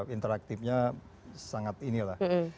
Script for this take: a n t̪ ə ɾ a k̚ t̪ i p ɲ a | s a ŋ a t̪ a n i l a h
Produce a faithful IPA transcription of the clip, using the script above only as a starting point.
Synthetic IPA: i n t̪ ə ɾ a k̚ t̪ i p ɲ a | s a ŋ a t̪ i n i l a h